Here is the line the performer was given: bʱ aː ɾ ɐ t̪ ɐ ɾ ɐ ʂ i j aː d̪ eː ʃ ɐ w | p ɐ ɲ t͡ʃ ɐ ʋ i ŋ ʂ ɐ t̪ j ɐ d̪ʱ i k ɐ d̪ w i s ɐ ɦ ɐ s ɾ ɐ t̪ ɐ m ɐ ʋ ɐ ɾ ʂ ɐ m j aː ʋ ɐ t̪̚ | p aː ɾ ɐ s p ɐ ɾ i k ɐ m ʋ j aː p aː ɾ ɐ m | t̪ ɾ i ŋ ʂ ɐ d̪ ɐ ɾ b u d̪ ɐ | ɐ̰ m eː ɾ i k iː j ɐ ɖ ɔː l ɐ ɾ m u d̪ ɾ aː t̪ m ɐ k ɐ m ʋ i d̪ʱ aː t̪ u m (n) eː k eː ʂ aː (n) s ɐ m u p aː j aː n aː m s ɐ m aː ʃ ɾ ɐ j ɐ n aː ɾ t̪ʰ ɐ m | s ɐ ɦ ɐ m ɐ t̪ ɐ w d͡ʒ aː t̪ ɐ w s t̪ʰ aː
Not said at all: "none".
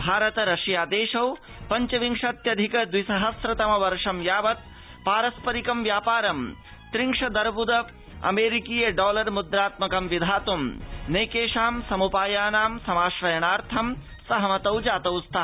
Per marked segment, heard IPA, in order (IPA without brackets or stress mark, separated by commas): n, m